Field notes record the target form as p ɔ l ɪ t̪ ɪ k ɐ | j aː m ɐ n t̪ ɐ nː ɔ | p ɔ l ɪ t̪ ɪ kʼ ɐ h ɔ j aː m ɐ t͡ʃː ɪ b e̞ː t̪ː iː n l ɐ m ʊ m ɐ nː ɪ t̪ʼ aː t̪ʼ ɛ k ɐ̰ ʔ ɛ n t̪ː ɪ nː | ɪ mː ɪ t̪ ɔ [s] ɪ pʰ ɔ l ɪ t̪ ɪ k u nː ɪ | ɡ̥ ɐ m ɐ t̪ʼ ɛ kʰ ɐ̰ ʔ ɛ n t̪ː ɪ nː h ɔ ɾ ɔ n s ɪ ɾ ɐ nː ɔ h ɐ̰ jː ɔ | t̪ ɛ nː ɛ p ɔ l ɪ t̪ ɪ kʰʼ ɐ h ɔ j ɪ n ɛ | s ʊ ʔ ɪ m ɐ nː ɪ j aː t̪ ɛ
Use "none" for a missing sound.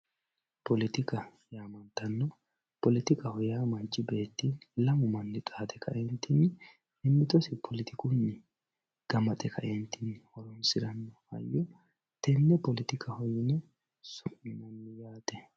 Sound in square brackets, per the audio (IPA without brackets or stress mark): s